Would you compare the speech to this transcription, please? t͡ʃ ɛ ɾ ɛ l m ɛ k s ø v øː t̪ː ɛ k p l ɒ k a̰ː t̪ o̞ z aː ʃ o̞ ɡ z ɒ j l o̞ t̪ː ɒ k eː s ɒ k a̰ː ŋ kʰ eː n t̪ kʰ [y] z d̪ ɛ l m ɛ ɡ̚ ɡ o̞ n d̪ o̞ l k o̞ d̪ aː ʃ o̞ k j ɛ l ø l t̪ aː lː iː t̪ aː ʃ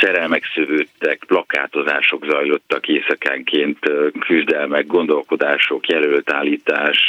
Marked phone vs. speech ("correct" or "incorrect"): correct